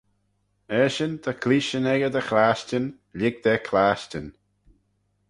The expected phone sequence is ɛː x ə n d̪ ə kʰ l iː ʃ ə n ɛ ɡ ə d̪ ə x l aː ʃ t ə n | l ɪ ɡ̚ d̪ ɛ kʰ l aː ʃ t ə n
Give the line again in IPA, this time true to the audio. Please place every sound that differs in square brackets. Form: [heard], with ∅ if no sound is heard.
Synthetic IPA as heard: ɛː [ʃ] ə n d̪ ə kʰ l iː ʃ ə n ɛ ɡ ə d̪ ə x l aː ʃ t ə n | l ɪ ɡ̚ d̪ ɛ kʰ l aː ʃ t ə n